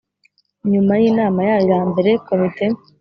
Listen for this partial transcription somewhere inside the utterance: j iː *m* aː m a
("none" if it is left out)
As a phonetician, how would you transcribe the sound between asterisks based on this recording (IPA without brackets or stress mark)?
n